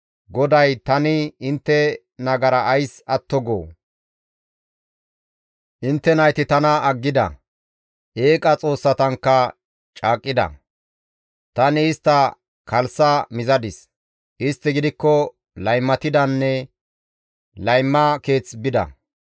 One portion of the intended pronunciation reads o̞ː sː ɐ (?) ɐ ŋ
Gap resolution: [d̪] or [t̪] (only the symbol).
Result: t̪